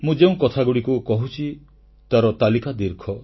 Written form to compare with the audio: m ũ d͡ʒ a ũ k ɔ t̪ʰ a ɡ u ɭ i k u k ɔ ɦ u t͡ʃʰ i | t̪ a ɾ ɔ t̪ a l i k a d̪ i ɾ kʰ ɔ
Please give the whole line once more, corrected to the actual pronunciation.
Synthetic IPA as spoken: m ũ d͡ʒ e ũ k ɔ t̪ʰ a ɡ u ɽ i k u k ɔ ɦ u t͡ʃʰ i | t̪ a ɾ ɔ t̪ a l i k a d̪ i ɾ kʰ ɔ